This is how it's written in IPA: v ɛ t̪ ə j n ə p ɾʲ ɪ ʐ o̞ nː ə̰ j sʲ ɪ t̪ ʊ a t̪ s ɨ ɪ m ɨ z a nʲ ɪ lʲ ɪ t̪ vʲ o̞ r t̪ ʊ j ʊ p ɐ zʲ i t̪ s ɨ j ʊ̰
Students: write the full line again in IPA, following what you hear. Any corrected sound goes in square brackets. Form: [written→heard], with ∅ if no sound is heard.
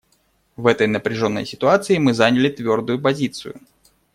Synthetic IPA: v ɛ t̪ ə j n ə p ɾʲ ɪ ʐ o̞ nː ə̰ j sʲ ɪ t̪ ʊ a t̪ s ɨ ɪ m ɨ z a nʲ ɪ lʲ ɪ t̪ vʲ o̞ r [t̪→d̪] ʊ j ʊ p ɐ zʲ i t̪ s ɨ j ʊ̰

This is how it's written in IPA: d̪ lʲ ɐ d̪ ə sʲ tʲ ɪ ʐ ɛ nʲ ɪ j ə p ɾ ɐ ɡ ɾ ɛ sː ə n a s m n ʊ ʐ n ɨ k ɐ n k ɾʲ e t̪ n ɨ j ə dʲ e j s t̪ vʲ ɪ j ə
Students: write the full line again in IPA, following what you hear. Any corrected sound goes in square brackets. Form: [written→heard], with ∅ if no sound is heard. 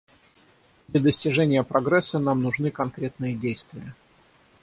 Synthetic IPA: d̪ lʲ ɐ d̪ ə sʲ tʲ ɪ ʐ ɛ nʲ ɪ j ə p ɾ ɐ ɡ ɾ ɛ sː ə n a [s→∅] m n ʊ ʐ n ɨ k ɐ n k ɾʲ e t̪ n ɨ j ə dʲ e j s t̪ vʲ ɪ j ə

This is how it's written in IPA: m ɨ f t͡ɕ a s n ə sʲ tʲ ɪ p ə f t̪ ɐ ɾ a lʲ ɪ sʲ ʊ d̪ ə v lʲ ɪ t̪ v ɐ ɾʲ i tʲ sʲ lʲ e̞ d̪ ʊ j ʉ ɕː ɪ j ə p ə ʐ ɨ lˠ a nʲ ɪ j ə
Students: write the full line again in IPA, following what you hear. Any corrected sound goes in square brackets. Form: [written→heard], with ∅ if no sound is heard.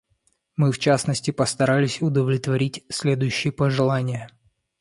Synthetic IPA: m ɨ f t͡ɕ a s n ə sʲ tʲ ɪ p ə [f→s] t̪ ɐ ɾ a lʲ ɪ sʲ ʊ d̪ ə v lʲ ɪ t̪ v ɐ ɾʲ i tʲ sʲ lʲ e̞ d̪ ʊ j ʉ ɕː ɪ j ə p ə ʐ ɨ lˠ a nʲ ɪ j ə

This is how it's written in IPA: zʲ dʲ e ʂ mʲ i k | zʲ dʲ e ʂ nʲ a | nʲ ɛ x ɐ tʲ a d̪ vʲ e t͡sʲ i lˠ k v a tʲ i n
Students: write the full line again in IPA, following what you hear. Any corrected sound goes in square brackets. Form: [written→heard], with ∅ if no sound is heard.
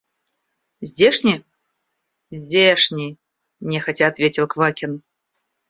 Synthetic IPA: zʲ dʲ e ʂ [mʲ→nʲ] i [k→∅] | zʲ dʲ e ʂ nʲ [a→i] | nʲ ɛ x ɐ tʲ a [d̪→t̪] vʲ e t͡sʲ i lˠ k v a [tʲ→kʲ] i n

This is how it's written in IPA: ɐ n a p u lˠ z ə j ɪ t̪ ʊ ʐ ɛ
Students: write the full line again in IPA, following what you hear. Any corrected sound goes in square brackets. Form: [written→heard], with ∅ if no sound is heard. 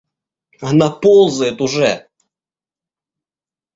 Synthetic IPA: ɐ n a p [u→o] lˠ z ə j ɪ t̪ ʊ ʐ ɛ

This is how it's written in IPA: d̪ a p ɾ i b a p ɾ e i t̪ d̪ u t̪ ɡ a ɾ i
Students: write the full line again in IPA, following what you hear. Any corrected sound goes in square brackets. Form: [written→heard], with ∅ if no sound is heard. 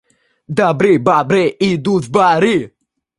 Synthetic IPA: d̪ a [p→b] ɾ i b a [p→b] ɾ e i [t̪→∅] d̪ u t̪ [ɡ→b] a ɾ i

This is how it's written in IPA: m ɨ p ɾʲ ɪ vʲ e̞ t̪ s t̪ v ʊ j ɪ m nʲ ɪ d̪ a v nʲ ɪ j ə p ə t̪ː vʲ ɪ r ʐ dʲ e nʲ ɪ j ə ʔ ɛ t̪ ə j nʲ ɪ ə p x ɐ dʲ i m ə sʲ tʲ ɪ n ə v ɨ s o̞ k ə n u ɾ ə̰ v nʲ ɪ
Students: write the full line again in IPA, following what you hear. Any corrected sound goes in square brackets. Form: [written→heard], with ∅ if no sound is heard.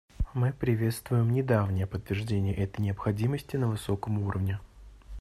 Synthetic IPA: m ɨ p ɾʲ ɪ vʲ e̞ t̪ s t̪ v ʊ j ɪ m nʲ ɪ d̪ a v nʲ ɪ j ə p ə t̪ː vʲ ɪ r ʐ dʲ e nʲ ɪ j ə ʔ ɛ t̪ ə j nʲ ɪ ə p x ɐ dʲ i m ə sʲ tʲ ɪ n ə v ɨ s o̞ k ə [n→m] u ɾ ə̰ v nʲ ɪ

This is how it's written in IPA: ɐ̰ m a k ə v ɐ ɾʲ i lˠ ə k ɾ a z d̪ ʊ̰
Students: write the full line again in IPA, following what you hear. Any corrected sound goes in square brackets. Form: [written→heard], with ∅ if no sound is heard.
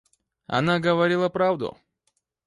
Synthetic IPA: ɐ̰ [m→n] a [k→ɡ] ə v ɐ ɾʲ i lˠ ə [k→p] ɾ a [z→v] d̪ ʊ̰

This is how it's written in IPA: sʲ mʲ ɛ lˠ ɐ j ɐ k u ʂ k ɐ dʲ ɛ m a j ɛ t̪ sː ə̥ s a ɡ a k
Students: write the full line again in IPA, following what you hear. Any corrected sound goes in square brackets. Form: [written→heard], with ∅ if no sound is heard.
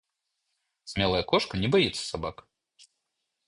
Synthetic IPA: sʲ mʲ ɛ lˠ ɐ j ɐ k [u→ɔ] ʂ k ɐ [dʲ→nʲ] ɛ [m→b] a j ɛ t̪ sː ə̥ s a [ɡ→b] a k

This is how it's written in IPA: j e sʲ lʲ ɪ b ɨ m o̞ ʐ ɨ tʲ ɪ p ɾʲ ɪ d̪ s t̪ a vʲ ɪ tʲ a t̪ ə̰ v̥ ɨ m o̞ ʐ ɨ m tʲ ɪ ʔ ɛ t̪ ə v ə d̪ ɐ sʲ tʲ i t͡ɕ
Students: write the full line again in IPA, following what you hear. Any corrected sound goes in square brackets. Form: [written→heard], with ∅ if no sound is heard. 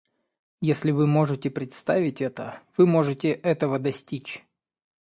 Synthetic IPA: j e sʲ lʲ ɪ [b→v] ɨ m o̞ ʐ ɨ tʲ ɪ p ɾʲ ɪ [d̪→t̪] s t̪ a vʲ ɪ tʲ [a→ɛ] t̪ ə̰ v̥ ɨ m o̞ ʐ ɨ [m→∅] tʲ ɪ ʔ ɛ t̪ ə v ə d̪ ɐ sʲ tʲ i t͡ɕ

